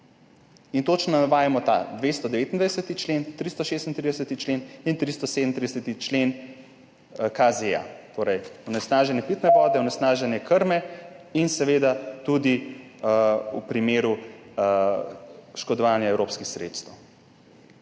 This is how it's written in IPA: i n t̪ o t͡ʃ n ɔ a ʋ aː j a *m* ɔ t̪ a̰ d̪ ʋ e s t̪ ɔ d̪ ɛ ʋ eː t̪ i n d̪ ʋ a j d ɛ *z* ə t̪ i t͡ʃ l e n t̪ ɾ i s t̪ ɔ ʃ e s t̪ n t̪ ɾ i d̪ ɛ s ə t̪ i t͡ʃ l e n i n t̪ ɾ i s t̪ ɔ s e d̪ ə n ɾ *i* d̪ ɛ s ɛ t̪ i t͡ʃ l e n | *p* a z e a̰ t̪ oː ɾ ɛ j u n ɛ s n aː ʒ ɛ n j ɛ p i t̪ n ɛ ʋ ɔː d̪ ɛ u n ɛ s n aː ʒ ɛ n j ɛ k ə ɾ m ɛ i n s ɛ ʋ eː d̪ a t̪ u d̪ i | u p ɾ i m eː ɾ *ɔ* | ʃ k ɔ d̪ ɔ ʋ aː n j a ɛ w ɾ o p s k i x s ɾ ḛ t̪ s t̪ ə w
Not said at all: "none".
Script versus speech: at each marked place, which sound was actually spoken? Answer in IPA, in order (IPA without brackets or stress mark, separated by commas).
m, s, i, k, u